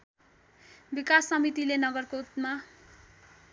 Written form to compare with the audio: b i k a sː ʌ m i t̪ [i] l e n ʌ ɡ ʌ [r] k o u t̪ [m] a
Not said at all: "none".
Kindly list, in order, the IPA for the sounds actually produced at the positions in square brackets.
i, r, m

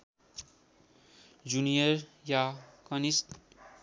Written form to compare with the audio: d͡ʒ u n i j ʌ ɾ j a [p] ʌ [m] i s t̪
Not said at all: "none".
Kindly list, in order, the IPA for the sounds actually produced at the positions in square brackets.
k, n

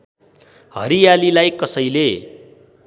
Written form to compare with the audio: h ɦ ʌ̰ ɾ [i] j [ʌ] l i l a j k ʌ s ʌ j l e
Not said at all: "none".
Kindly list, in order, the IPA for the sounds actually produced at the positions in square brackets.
i, a

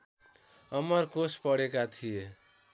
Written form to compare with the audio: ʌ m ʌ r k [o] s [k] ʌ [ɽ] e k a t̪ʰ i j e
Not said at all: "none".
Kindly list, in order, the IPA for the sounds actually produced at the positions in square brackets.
o, p, ɽ

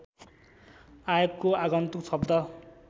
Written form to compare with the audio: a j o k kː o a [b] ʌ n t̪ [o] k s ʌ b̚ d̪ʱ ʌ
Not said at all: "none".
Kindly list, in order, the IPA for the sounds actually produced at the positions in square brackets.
ɡ, u

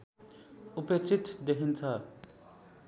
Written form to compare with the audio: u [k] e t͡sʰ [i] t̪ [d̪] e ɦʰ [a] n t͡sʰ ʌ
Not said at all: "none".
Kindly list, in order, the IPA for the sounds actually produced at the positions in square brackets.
p, i, d̪, i

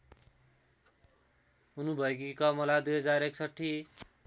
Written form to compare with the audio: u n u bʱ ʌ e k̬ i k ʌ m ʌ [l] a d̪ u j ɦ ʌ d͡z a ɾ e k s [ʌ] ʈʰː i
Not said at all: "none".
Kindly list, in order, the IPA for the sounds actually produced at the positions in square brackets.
l, ʌ

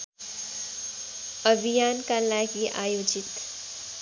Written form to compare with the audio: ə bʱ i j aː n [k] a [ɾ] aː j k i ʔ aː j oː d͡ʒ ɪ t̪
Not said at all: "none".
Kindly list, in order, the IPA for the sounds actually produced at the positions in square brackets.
k, l

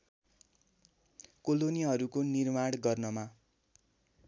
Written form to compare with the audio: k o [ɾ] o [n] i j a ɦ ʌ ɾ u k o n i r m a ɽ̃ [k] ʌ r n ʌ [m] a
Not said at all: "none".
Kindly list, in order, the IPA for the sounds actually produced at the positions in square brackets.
l, n, ɡ, m

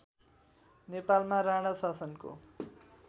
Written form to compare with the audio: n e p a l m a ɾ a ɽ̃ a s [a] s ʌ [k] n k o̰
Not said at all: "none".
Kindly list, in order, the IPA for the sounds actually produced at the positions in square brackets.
a, none

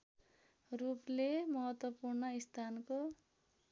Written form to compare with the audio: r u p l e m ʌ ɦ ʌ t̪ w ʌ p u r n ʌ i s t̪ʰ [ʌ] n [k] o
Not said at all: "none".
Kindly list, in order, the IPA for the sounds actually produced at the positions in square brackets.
a, k

